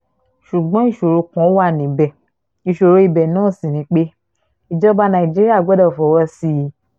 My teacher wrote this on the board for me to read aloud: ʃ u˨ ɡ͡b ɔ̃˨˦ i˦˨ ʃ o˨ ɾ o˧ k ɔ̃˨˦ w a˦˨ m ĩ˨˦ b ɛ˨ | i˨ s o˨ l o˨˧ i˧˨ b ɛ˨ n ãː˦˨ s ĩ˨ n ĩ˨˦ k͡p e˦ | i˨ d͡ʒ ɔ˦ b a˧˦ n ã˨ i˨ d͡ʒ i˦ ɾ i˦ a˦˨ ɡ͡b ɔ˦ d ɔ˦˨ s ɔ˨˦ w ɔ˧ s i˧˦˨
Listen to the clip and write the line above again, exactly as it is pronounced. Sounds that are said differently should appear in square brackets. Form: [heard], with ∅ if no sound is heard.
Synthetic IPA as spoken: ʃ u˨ ɡ͡b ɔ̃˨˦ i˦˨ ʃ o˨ ɾ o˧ k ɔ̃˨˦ w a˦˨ [n] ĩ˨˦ b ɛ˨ | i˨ [ʃ] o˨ [ɾ] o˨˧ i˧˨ b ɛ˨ n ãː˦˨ s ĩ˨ n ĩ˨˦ k͡p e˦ | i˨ d͡ʒ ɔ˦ b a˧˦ n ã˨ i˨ d͡ʒ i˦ ɾ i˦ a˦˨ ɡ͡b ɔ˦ d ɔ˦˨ [f] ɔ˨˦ w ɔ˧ s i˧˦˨